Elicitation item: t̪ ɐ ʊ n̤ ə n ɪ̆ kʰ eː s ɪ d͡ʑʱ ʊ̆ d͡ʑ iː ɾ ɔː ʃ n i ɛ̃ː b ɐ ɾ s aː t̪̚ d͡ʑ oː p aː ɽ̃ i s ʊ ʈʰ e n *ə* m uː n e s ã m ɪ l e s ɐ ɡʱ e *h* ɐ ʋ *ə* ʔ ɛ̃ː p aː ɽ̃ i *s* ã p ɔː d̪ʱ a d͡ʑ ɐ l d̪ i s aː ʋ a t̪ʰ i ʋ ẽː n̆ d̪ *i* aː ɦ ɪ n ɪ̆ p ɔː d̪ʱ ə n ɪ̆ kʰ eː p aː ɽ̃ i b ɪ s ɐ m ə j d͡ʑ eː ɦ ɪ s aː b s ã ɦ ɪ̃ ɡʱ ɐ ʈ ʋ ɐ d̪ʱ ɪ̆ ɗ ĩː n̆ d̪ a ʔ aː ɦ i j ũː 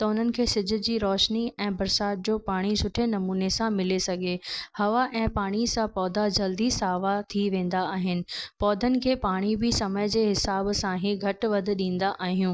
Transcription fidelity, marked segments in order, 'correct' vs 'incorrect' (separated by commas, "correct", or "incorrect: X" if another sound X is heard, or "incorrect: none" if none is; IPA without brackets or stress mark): incorrect: ɐ, correct, incorrect: a, correct, incorrect: a